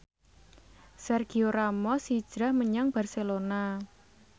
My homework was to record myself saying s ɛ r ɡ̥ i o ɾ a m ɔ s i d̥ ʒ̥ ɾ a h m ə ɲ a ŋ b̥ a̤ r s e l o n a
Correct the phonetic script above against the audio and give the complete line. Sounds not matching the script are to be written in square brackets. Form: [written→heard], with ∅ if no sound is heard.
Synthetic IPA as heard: s ɛ r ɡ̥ i o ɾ a m ɔ s i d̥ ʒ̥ ɾ a h m ə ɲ a ŋ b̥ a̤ r s e l o n a